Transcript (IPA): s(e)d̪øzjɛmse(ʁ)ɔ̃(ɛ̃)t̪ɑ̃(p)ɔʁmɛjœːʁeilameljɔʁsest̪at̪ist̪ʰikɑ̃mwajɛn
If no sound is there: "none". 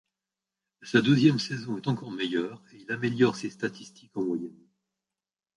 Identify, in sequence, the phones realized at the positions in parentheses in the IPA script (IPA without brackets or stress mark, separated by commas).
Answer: a, z, ɛ, k